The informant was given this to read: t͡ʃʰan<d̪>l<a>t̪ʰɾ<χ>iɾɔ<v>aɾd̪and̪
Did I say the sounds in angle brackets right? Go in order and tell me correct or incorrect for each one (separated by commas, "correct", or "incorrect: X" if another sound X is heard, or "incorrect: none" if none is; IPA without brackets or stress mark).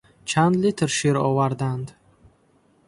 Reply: correct, incorrect: i, incorrect: ʃ, correct